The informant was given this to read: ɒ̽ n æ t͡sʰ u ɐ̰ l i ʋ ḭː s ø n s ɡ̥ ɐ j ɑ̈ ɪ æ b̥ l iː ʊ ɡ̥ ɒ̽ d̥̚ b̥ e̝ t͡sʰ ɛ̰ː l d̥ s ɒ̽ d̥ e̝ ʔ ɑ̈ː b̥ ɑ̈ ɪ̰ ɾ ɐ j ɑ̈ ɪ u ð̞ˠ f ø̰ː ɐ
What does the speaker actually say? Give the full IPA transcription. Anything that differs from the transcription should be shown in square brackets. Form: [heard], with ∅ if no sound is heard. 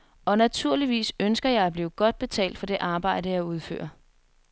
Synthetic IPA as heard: ɒ̽ n æ t͡sʰ u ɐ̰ l i ʋ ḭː s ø n s ɡ̥ ɐ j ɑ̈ ɪ æ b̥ l iː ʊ ɡ̥ ɒ̽ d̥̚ b̥ e̝ t͡sʰ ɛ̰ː l d̥ [f] ɒ̽ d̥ e̝ ʔ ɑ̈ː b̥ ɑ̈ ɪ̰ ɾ [ə] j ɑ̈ ɪ u ð̞ˠ f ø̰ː ɐ